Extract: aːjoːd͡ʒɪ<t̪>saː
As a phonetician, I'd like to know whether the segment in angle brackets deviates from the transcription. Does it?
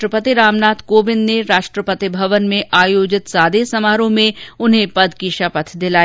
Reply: no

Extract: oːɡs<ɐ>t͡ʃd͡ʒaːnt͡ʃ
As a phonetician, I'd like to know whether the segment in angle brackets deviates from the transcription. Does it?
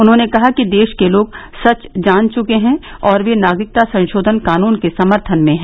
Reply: no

